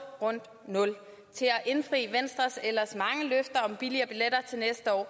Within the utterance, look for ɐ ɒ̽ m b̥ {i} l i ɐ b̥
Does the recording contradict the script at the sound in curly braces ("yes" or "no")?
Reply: no